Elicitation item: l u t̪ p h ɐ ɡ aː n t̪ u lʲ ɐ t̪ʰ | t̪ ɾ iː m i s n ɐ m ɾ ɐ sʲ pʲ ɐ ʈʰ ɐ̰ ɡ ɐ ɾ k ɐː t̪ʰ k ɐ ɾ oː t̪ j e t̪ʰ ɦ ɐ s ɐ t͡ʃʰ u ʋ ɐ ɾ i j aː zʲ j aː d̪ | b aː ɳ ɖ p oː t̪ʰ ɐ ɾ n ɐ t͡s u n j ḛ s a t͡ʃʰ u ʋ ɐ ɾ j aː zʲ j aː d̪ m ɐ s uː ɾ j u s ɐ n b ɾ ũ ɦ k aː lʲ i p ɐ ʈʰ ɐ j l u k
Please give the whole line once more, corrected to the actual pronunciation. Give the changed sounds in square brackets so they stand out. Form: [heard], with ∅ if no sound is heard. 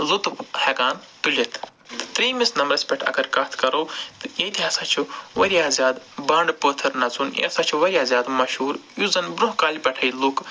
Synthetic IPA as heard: l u t̪ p h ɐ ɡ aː n t̪ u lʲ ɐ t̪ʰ | t̪ ɾ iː m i s n ɐ m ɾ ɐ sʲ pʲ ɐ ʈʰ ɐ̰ ɡ ɐ ɾ k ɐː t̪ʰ k ɐ ɾ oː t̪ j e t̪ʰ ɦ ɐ s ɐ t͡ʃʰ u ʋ ɐ ɾ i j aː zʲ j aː d̪ | b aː ɳ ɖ p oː t̪ʰ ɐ ɾ n ɐ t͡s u n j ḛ s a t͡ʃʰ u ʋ ɐ ɾ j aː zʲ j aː d̪ m ɐ [ʃ] uː ɾ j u [z] ɐ n b ɾ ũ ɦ k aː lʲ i p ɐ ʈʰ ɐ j l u k